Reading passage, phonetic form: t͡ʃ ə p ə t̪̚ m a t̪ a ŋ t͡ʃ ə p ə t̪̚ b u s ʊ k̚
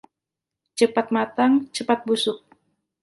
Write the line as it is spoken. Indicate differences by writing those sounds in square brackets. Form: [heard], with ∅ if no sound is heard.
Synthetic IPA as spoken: t͡ʃ ə p [a] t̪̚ m a t̪ a ŋ t͡ʃ ə p [a] t̪̚ b u s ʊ k̚